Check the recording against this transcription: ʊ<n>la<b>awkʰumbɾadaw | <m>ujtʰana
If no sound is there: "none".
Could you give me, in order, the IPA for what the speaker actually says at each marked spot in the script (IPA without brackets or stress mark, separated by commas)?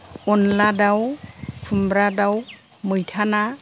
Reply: n, d, m